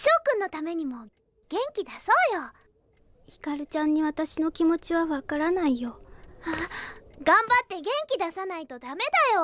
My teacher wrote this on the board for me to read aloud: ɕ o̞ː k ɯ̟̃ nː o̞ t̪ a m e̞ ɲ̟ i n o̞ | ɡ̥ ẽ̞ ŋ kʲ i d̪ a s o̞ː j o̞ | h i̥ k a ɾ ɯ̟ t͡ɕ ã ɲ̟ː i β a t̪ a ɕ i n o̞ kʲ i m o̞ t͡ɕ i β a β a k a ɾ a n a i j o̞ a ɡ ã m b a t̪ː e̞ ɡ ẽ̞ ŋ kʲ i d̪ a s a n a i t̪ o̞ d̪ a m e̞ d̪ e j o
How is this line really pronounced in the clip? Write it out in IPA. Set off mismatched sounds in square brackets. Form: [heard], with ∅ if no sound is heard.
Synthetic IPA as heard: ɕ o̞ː k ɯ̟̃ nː o̞ t̪ a m e̞ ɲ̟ i [m] o̞ | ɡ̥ ẽ̞ ŋ kʲ i d̪ a s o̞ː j o̞ | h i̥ k a ɾ ɯ̟ t͡ɕ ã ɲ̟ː i β a t̪ a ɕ i n o̞ kʲ i m o̞ t͡ɕ i β a β a k a ɾ a n a i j o̞ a ɡ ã m b a t̪ː e̞ ɡ ẽ̞ ŋ kʲ i d̪ a s a n a i t̪ o̞ d̪ a m e̞ d̪ [a] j o

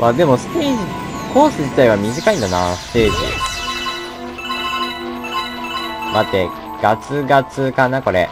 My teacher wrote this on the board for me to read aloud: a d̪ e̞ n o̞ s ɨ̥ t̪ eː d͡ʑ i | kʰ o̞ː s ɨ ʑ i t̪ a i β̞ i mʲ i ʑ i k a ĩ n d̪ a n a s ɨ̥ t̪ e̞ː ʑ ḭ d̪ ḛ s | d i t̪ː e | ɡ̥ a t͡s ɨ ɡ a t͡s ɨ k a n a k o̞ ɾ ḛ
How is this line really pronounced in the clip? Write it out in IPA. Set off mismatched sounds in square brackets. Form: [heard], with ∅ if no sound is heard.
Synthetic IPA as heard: a d̪ e̞ [m] o̞ s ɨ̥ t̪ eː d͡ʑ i | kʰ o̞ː s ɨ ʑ i t̪ a i β̞ [a] mʲ i ʑ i k a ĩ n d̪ a n a s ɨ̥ t̪ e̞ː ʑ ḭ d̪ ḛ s | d [a] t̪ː e | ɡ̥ a t͡s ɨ ɡ a t͡s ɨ k a n a k o̞ ɾ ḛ

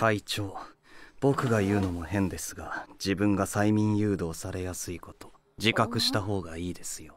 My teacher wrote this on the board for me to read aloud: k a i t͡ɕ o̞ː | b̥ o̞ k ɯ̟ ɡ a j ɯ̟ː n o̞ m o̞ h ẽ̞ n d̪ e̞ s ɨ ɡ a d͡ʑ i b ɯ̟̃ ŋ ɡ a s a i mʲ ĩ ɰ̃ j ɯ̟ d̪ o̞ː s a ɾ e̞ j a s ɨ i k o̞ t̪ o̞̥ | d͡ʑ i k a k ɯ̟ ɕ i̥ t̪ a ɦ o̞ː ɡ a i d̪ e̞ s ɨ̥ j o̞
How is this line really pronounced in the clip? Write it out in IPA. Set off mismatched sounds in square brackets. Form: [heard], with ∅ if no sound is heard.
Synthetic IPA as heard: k a i t͡ɕ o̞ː | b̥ o̞ k ɯ̟ ɡ a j ɯ̟ː n o̞ m o̞ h ẽ̞ n d̪ e̞ s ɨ ɡ a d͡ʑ i b ɯ̟̃ ŋ ɡ a s a i mʲ ĩ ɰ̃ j [ɯ̟ː] d̪ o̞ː s a ɾ e̞ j a s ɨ i k o̞ t̪ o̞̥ | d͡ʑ i k a k ɯ̟ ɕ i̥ t̪ a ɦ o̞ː ɡ a [iː] d̪ e̞ s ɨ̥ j o̞

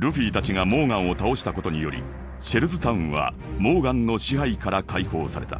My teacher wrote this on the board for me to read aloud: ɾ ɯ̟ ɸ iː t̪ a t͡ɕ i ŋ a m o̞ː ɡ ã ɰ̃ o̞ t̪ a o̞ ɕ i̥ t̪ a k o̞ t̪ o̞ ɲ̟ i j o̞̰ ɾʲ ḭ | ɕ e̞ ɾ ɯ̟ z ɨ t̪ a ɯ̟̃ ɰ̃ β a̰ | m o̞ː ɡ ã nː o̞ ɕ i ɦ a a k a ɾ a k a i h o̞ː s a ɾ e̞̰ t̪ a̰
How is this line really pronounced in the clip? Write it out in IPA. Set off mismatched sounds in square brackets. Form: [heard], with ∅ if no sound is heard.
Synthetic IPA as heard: ɾ ɯ̟ ɸ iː t̪ a t͡ɕ i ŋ a m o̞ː ɡ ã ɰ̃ o̞ t̪ a o̞ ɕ i̥ t̪ a k o̞ t̪ o̞ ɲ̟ i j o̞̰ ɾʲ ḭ | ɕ e̞ ɾ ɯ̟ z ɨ t̪ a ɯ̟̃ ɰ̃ β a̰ | m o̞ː ɡ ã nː o̞ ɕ i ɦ a [i] k a ɾ a k a i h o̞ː s a ɾ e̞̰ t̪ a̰

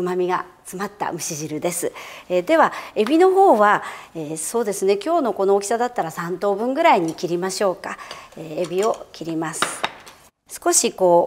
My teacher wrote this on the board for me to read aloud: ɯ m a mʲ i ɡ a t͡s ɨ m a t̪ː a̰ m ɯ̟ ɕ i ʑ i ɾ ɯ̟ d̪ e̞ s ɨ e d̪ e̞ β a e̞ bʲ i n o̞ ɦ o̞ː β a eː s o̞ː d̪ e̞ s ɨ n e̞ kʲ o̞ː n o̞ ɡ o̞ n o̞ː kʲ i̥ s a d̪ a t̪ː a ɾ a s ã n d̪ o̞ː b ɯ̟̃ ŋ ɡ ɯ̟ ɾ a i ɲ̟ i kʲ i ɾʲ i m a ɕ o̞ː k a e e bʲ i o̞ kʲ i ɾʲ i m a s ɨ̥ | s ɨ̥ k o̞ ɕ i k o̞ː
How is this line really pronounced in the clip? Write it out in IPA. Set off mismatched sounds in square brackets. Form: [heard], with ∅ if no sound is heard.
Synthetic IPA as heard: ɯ m a mʲ i ɡ a t͡s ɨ m a t̪ː a̰ m ɯ̟ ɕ i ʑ i ɾ ɯ̟ d̪ e̞ s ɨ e d̪ e̞ β a e̞ bʲ i n o̞ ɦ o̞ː β a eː s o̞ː d̪ e̞ s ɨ n e̞ kʲ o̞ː n o̞ [k] o̞ n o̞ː kʲ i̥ s a d̪ a t̪ː a ɾ a s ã n [t̪] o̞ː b ɯ̟̃ ŋ ɡ ɯ̟ ɾ a i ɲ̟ i kʲ i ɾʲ i m a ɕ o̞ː k a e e bʲ i o̞ kʲ i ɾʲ i m a s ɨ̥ | s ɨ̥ k o̞ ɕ i k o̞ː

